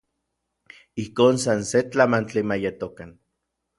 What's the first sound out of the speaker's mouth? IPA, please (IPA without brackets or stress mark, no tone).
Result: i